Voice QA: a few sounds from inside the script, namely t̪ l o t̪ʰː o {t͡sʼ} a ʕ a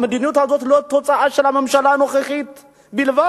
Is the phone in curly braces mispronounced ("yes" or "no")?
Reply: no